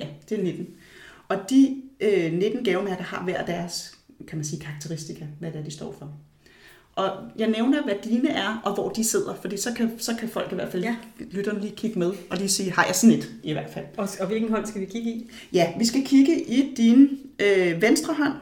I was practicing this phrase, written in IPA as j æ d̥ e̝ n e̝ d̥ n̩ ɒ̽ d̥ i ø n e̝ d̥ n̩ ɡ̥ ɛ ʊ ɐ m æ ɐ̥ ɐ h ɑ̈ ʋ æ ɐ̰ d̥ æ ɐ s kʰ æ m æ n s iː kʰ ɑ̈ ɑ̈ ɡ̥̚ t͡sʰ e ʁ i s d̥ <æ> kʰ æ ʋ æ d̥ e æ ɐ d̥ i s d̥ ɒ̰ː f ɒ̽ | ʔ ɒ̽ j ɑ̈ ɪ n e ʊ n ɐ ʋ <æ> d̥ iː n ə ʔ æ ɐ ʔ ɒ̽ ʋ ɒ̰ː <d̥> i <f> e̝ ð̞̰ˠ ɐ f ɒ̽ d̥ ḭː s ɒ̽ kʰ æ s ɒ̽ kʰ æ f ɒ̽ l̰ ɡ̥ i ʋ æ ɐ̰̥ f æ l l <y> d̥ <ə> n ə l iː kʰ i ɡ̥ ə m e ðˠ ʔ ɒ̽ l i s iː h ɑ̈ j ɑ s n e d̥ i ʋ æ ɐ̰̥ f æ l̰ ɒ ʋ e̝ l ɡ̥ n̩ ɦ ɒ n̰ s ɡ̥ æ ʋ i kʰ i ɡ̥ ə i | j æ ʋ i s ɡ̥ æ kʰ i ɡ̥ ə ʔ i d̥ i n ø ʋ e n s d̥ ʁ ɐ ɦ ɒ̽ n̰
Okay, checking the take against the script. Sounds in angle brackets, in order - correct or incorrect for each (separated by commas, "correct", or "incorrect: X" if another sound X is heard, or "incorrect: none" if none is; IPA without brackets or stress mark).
incorrect: i, correct, correct, incorrect: s, correct, incorrect: ɐ